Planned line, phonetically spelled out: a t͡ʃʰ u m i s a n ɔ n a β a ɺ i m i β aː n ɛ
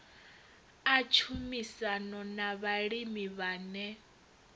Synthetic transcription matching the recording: a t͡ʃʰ u m i s a n ɔ n a β a ɺ i m i β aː n ɛ